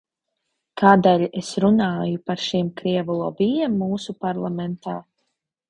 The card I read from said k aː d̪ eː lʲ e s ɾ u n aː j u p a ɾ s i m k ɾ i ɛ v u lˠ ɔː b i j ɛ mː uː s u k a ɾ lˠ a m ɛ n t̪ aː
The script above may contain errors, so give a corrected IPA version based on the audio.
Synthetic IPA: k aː d̪ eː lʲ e s ɾ u n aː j u p a ɾ ʃ i m k ɾ i ɛ v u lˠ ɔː b i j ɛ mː uː s u p a ɾ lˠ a m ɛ n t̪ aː